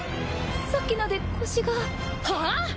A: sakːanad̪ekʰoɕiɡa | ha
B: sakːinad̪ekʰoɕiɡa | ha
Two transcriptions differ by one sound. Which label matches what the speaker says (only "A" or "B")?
B